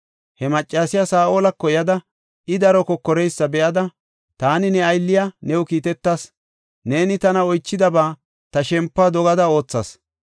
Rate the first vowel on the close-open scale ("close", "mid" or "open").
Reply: mid